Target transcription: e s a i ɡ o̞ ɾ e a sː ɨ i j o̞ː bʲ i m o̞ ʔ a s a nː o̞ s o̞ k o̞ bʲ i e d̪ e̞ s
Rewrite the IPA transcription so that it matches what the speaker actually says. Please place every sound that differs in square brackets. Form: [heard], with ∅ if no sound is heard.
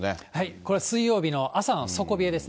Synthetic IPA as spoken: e [h] a i [k] o̞ ɾ e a [s] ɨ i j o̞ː bʲ i [n] o̞ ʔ a s a [n] o̞ s o̞ k o̞ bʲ i e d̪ e̞ s